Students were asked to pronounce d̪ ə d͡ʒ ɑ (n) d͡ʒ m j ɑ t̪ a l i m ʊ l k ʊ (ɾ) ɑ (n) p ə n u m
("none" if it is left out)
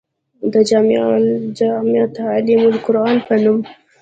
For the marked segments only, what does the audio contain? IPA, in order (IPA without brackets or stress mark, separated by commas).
m, ɾ, n